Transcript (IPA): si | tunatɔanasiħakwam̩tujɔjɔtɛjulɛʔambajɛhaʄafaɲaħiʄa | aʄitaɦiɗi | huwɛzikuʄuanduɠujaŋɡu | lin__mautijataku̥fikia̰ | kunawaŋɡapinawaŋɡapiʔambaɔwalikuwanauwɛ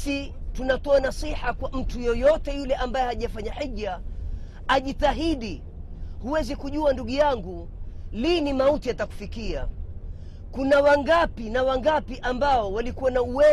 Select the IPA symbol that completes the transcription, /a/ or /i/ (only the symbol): i